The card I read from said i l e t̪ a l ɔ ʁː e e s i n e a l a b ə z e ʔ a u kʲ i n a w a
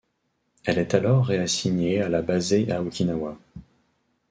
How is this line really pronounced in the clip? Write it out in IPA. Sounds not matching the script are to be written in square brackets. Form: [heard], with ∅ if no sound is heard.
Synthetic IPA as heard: [ɛ] l [ɛ] t̪ a l ɔ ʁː e [a] s i [ɲ] e a l a b [a] z e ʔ a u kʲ i n a w a